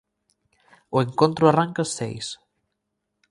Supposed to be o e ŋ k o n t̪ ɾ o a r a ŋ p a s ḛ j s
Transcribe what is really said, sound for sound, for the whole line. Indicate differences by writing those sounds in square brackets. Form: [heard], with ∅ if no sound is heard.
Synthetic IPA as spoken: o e ŋ k o n t̪ ɾ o a r a ŋ [k] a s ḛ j s